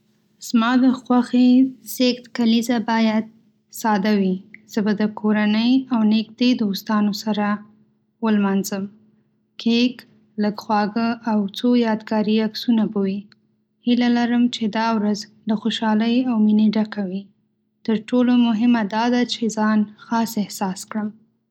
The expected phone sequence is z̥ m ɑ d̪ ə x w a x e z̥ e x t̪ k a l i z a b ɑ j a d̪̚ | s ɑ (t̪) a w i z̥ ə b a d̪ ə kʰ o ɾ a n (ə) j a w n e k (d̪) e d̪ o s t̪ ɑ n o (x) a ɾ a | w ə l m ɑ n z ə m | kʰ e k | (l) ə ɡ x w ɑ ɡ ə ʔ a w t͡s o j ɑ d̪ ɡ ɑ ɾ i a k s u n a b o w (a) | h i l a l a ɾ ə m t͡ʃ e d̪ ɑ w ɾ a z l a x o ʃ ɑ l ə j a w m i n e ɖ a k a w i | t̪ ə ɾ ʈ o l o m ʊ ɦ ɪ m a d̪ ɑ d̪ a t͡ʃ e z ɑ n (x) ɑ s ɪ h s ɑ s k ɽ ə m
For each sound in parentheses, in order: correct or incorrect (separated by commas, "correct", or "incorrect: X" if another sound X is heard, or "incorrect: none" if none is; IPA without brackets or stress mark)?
incorrect: d̪, correct, correct, incorrect: s, correct, incorrect: i, correct